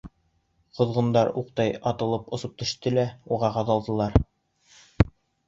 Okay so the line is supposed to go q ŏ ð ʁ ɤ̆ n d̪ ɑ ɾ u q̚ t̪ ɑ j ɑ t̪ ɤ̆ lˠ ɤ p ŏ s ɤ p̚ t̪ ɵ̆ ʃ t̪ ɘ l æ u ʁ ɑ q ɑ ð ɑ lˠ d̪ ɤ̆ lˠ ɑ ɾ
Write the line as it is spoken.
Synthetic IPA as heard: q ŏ ð ʁ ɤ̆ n d̪ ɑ ɾ u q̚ t̪ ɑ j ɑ t̪ ɤ̆ lˠ ɤ p ŏ s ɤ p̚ t̪ ɵ̆ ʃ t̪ ɘ l æ u ʁ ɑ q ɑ ð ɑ lˠ d̪ ɤ̆ lˠ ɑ ɾ